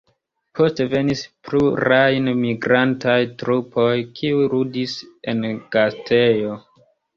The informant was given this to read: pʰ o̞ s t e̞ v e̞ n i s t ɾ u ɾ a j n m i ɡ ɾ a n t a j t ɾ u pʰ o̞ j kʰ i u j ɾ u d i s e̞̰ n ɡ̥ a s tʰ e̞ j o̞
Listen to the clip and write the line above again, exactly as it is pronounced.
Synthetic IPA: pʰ o̞ s t e̞ v e̞ n i s p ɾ u ɾ a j n m i ɡ ɾ a n t a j t ɾ u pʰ o̞ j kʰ i u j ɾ u d i s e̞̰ n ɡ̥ a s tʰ e̞ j o̞